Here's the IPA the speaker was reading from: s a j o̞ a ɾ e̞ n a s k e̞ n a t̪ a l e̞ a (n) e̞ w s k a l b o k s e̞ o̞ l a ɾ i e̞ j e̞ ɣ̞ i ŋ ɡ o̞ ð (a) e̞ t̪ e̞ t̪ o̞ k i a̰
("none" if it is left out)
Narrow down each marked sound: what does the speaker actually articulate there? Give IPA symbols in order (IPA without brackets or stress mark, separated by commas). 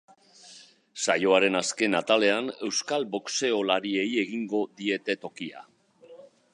n, i